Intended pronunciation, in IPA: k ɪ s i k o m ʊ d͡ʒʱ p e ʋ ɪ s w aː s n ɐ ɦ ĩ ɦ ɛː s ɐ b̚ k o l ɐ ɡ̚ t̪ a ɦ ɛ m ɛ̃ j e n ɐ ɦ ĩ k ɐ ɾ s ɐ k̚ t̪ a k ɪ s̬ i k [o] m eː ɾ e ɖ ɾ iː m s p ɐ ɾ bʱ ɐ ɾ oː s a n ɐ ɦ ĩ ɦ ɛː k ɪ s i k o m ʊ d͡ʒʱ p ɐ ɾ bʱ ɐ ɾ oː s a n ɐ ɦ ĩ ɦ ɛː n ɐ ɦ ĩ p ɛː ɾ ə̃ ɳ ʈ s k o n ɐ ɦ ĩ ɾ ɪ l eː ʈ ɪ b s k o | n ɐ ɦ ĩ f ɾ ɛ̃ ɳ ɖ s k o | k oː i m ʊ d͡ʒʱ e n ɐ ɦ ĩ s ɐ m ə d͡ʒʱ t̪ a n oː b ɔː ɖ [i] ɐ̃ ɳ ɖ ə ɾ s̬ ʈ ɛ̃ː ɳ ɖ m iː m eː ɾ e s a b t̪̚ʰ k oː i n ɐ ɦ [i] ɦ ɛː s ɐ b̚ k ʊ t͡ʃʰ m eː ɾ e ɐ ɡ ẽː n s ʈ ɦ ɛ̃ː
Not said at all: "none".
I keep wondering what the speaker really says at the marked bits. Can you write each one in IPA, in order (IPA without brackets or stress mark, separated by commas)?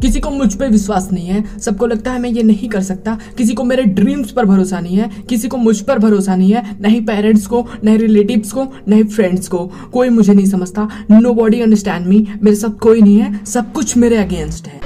o, i, ĩ